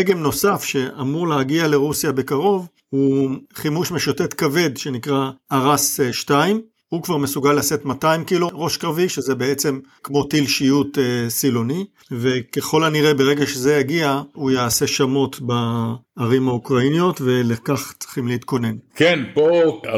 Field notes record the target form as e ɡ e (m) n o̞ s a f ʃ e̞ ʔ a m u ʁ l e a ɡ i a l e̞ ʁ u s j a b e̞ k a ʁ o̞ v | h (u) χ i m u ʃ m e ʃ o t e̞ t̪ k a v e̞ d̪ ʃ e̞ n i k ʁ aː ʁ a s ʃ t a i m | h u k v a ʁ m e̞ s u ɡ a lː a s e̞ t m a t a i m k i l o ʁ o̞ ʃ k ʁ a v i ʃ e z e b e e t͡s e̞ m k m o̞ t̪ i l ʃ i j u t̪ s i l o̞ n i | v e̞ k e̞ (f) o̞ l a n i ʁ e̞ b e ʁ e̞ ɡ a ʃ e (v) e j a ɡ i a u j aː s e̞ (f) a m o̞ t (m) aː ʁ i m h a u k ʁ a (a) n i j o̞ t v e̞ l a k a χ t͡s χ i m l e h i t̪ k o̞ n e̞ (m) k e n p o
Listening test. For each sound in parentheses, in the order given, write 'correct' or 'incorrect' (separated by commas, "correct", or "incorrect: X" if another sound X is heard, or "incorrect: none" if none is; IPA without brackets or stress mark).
correct, correct, incorrect: χ, incorrect: z, incorrect: ʃ, incorrect: b, incorrect: i, incorrect: n